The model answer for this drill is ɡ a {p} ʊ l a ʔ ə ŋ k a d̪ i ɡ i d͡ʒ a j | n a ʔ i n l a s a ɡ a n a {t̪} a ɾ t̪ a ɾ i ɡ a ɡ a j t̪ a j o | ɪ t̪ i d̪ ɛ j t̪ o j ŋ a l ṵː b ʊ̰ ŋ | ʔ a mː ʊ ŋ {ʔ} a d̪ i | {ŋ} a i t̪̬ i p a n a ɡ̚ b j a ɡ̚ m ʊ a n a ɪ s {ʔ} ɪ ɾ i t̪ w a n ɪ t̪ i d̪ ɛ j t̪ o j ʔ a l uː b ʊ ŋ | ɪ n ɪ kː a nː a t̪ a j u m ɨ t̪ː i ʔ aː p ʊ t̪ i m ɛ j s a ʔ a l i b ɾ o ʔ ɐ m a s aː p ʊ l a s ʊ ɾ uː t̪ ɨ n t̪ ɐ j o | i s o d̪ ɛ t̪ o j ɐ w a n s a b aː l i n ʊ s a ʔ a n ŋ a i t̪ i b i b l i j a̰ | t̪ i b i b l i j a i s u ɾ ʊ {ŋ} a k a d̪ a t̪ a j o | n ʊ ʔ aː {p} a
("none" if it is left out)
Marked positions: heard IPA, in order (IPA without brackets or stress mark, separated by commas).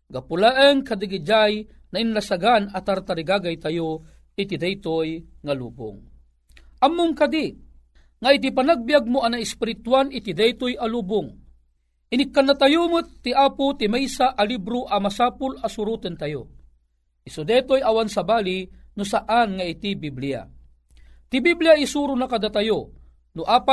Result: p, t̪, k, ŋ, p, n, p